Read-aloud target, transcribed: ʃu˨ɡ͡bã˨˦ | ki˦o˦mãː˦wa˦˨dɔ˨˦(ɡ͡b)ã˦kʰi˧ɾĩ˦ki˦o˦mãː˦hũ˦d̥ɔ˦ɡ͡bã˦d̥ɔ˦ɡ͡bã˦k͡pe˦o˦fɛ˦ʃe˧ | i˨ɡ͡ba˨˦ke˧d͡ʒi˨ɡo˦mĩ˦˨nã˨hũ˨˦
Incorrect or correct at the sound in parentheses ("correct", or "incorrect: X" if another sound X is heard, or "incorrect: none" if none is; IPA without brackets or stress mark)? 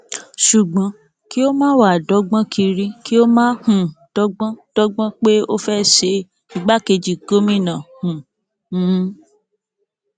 correct